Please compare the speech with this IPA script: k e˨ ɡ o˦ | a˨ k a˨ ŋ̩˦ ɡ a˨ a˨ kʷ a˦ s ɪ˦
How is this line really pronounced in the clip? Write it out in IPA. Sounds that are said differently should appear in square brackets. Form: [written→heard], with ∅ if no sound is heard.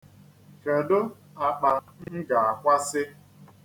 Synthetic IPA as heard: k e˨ [ɡ→d] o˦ | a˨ [k→k͡p] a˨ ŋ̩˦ ɡ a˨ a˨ kʷ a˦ s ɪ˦